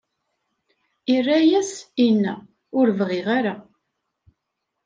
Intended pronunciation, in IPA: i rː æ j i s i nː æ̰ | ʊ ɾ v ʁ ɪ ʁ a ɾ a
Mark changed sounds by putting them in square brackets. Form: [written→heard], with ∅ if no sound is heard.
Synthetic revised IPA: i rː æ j [i→æ] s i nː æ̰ | ʊ ɾ v ʁ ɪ ʁ a ɾ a